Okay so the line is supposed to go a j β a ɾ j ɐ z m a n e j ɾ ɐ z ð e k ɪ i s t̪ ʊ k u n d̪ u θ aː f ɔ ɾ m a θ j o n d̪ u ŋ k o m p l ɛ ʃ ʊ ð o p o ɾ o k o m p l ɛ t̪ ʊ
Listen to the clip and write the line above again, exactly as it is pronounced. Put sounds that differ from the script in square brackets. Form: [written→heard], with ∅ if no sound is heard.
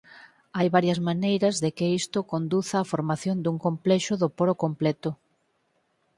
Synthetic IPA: a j β a ɾ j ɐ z m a n e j ɾ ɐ z ð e k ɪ i s t̪ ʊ k [u→o] n d̪ u θ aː f [ɔ→o] ɾ m a θ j o n d̪ u ŋ k o m p l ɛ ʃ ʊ ð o p o ɾ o k o m p l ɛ t̪ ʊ

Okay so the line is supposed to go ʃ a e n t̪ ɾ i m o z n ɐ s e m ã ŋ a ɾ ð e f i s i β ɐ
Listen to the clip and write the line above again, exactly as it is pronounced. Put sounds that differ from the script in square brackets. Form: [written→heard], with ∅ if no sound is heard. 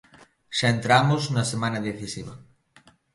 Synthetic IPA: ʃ a e n t̪ ɾ [i→a] m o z n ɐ s e m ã [ŋ→n] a [ɾ→∅] ð e [f→θ] i s i β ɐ

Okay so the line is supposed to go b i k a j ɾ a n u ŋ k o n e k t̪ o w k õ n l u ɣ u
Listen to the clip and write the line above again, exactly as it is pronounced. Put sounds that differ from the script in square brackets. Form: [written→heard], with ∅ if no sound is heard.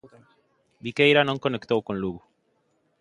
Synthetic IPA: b i k [a→e] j ɾ a n [u→o] ŋ k o n e k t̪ o w k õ n l u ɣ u

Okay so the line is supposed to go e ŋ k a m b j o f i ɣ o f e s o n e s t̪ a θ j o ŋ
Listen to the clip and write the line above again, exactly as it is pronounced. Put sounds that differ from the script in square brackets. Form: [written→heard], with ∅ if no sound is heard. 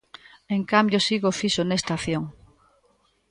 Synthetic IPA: e ŋ k a m b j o [f→s] i ɣ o f [e→i] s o n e s t̪ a θ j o ŋ

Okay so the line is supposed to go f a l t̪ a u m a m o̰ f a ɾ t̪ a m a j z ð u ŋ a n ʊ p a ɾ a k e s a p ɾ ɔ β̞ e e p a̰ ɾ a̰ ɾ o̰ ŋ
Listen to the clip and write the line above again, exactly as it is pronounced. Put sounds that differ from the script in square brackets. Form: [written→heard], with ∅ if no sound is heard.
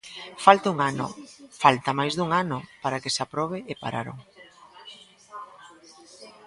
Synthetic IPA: f a l t̪ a u [m→ŋ] a [m→n] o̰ f a [ɾ→l] t̪ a m a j z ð u ŋ a n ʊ p a ɾ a k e s a p ɾ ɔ β̞ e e p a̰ ɾ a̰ ɾ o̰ ŋ

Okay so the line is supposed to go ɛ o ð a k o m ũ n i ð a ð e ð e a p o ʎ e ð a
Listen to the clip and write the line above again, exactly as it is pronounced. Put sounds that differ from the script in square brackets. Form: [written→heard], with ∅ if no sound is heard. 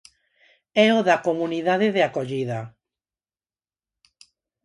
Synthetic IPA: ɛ o ð a k o m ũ n i ð a ð e ð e a [p→k] o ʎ [e→i] ð a

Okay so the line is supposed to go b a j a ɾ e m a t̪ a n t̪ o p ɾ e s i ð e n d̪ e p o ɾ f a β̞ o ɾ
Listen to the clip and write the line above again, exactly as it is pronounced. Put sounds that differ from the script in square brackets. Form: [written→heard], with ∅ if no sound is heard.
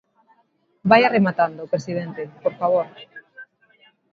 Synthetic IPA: b a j a [ɾ→r] e m a t̪ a n [t̪→d̪] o p ɾ e s i ð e n [d̪→t̪] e p o ɾ f a β̞ o ɾ

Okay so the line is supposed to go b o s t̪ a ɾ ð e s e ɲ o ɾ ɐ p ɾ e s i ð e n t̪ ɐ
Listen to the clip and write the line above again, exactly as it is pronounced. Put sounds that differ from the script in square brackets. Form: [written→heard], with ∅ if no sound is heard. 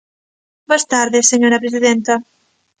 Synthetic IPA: b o s t̪ a ɾ ð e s e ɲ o ɾ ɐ p ɾ e s i ð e n t̪ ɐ

